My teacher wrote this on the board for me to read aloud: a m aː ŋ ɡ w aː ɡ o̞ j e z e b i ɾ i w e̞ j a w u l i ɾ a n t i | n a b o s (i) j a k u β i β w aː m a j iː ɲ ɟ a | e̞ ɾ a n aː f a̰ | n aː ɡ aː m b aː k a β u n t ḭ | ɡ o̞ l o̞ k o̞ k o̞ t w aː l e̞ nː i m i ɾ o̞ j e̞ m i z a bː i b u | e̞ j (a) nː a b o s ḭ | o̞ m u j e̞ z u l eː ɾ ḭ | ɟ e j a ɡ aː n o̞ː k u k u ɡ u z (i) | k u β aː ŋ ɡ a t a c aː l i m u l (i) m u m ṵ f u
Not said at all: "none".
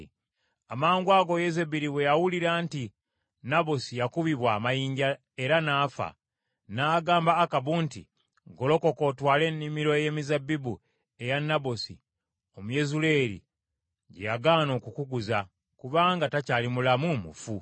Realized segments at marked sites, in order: i, a, a, a

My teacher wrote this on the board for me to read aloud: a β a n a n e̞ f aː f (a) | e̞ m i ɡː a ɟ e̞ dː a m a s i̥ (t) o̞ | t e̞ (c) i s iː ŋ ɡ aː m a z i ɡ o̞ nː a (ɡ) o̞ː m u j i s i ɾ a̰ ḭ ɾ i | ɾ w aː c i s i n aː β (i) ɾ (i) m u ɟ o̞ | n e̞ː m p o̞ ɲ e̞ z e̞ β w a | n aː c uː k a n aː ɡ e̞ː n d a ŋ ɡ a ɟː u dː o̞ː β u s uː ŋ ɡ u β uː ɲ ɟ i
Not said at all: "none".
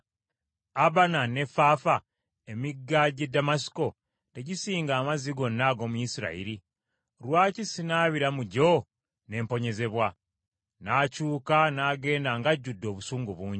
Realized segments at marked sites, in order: a, k, ɟ, ɡ, i, a

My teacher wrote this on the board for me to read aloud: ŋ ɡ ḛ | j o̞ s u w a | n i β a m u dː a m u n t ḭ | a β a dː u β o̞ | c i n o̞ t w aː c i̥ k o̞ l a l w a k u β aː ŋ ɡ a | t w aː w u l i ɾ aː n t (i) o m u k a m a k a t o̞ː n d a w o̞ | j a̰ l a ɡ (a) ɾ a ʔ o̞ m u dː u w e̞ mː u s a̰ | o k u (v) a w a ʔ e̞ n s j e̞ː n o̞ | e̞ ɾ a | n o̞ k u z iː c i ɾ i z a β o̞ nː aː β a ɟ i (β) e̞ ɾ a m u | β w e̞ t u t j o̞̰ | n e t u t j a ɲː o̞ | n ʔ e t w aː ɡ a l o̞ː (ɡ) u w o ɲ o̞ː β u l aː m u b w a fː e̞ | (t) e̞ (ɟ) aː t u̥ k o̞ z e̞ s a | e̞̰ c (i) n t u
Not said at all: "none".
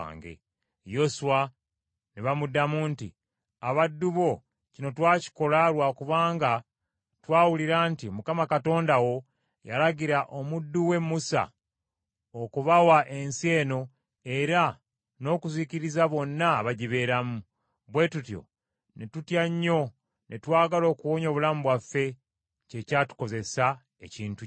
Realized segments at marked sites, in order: i, i, β, β, k, c, c, iː

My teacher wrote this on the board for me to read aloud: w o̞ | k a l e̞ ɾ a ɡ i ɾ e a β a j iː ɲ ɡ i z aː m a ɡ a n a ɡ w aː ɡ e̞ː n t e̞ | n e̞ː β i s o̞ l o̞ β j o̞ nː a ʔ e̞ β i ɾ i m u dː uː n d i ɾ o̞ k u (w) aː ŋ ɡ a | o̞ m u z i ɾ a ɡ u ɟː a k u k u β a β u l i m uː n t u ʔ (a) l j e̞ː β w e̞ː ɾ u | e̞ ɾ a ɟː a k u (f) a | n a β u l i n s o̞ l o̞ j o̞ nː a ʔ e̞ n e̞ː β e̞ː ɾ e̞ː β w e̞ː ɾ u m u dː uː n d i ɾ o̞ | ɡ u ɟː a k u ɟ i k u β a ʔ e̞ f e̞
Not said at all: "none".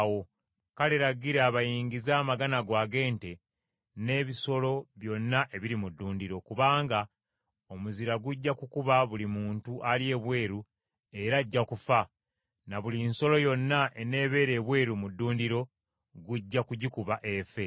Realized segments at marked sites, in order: β, a, f

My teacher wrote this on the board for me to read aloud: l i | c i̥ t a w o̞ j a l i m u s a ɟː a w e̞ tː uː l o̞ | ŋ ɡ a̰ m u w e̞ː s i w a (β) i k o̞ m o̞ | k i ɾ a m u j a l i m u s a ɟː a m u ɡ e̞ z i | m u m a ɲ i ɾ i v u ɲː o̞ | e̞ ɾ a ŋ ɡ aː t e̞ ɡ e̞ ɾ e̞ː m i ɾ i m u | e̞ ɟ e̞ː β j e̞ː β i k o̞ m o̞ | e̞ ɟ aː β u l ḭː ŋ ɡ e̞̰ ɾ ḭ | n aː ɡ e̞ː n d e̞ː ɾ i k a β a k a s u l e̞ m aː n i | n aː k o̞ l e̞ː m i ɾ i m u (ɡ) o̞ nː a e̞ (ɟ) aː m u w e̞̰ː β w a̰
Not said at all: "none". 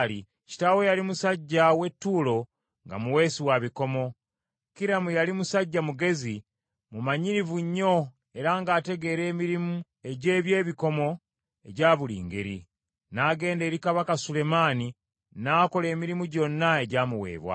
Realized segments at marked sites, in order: β, ɟ, ɟ

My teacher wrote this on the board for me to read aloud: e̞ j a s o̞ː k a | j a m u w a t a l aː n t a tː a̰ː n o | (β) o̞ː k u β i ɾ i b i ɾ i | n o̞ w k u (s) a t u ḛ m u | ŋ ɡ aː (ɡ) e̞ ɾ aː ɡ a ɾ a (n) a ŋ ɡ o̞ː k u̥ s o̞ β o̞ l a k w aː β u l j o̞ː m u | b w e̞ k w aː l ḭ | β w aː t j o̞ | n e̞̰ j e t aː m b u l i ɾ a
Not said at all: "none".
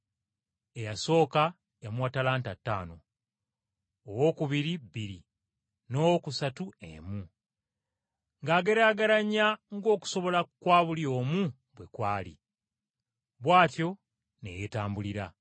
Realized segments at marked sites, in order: w, s, ɡ, ɲ

